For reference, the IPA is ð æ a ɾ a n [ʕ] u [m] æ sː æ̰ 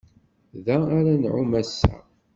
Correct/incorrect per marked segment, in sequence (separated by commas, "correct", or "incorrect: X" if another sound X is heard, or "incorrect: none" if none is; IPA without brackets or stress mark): correct, correct